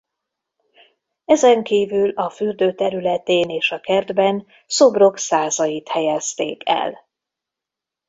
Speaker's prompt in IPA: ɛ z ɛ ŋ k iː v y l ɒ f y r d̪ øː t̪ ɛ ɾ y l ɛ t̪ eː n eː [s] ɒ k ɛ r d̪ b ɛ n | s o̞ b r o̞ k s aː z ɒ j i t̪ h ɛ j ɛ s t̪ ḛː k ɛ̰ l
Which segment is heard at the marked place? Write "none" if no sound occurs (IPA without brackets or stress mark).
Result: ʃ